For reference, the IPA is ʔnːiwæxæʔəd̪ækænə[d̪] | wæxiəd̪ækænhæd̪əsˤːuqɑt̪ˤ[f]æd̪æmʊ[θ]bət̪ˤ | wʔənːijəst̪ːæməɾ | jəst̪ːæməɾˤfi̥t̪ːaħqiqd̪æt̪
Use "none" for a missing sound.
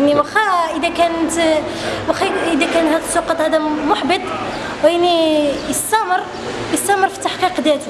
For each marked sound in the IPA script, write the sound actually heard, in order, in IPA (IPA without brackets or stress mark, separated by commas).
t̪, h, ħ